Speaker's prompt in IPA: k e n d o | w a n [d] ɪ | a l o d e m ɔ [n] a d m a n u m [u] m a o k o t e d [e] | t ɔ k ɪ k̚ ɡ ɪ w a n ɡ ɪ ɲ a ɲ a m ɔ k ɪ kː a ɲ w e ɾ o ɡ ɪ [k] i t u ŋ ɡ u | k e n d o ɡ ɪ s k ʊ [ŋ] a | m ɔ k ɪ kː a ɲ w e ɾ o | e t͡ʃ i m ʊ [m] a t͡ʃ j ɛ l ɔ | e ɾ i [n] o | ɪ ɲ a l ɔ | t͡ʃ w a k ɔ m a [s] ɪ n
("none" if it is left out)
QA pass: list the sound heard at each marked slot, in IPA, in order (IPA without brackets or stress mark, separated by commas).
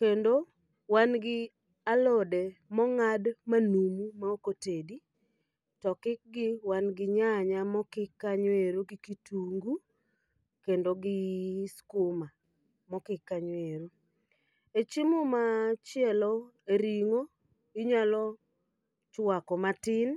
ɡ, ŋ, u, i, k, m, m, ŋ, t